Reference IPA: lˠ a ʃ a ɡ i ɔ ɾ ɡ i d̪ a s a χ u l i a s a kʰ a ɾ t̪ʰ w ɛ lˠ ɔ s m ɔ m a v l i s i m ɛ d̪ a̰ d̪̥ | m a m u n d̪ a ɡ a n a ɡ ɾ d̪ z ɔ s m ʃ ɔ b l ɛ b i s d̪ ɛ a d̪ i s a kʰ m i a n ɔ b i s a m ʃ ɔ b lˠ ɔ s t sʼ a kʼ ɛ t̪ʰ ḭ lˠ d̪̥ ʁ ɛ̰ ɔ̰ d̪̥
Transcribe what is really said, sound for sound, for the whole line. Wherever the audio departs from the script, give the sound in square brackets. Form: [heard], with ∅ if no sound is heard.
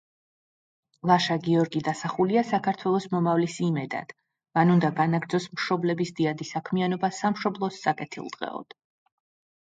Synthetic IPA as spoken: lˠ a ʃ a ɡ i ɔ ɾ ɡ i d̪ a s a χ u l i a s a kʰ a ɾ t̪ʰ w ɛ lˠ ɔ s m ɔ m a v l i s i m ɛ d̪ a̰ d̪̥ | m a [n] u n d̪ a ɡ a n a ɡ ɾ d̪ z ɔ s m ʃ ɔ b l ɛ b i s d̪ [i] a d̪ i s a kʰ m i a n ɔ b [a] s a m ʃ ɔ b lˠ ɔ s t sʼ a kʼ ɛ t̪ʰ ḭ lˠ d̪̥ ʁ ɛ̰ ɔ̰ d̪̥

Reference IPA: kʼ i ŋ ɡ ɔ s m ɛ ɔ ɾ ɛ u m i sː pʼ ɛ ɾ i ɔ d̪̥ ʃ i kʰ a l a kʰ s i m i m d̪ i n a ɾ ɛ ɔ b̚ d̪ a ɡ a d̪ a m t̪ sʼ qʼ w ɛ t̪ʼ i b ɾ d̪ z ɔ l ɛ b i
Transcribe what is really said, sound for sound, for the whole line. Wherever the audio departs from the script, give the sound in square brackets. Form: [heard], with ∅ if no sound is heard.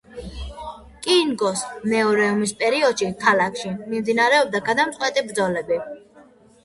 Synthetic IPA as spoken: kʼ i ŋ ɡ ɔ s m ɛ ɔ ɾ ɛ u m i [s] pʼ ɛ ɾ i ɔ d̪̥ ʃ i kʰ a l a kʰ [ʃ] i m i m d̪ i n a ɾ ɛ ɔ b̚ d̪ a ɡ a d̪ a m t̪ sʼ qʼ w ɛ t̪ʼ i b ɾ d̪ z ɔ l ɛ b i

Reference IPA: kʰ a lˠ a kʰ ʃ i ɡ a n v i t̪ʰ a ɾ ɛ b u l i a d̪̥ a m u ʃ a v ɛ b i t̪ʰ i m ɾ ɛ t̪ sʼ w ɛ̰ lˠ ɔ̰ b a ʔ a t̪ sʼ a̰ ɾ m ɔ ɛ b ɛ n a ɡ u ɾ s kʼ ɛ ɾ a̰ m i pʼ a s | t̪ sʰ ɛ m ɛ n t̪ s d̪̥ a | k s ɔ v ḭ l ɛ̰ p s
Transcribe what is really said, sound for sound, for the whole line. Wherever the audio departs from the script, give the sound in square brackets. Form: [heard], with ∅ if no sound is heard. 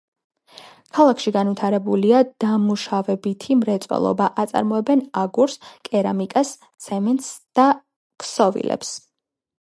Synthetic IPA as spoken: kʰ a lˠ a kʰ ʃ i ɡ a n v i t̪ʰ a ɾ ɛ b u l i a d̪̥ a m u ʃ a v ɛ b i t̪ʰ i m ɾ ɛ t̪ sʼ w ɛ̰ lˠ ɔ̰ b a ʔ a t̪ sʼ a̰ ɾ m ɔ ɛ b ɛ n a ɡ u ɾ s kʼ ɛ ɾ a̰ m i [kʼ] a s | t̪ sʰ ɛ m ɛ n t̪ s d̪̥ a | k s ɔ v ḭ l ɛ̰ p s

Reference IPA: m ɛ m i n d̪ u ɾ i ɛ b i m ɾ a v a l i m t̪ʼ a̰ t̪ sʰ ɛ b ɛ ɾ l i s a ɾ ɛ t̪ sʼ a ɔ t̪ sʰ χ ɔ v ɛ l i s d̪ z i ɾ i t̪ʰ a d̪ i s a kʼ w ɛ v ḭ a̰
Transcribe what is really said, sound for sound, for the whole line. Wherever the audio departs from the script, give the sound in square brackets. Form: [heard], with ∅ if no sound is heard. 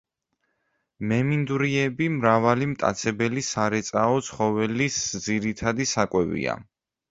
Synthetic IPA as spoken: m ɛ m i n d̪ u ɾ i ɛ b i m ɾ a v a l i m t̪ʼ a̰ t̪ sʰ ɛ b ɛ [∅] l i s a ɾ ɛ t̪ sʼ a ɔ t̪ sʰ χ ɔ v ɛ l i s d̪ z i ɾ i t̪ʰ a d̪ i s a kʼ w ɛ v ḭ a̰

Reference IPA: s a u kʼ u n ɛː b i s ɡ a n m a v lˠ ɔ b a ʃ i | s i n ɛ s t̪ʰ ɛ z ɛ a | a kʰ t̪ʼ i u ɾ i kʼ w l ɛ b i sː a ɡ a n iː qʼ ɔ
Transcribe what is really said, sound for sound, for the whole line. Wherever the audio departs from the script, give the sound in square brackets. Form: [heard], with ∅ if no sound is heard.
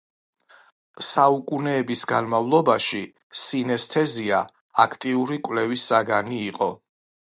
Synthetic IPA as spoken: s a u kʼ u n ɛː b i s ɡ a n m a v lˠ ɔ b a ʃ i | s i n ɛ s t̪ʰ ɛ z [i] a | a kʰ t̪ʼ i u ɾ i kʼ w l ɛ [v] i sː a ɡ a n iː qʼ ɔ

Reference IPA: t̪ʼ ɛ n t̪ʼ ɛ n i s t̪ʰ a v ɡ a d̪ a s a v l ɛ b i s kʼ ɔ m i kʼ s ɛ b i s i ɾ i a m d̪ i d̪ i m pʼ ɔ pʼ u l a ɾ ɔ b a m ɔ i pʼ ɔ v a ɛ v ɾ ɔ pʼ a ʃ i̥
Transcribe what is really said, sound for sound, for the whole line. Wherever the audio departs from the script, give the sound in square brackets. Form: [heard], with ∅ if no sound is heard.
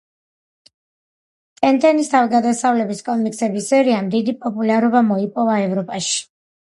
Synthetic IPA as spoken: t̪ʼ ɛ n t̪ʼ ɛ n i s t̪ʰ a v ɡ a d̪ a s a v l ɛ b i s kʼ ɔ m i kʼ s ɛ b i s [ɛ] ɾ i a m d̪ i d̪ i [∅] pʼ ɔ pʼ u l a ɾ ɔ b a m ɔ i pʼ ɔ v a ɛ v ɾ ɔ pʼ a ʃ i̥

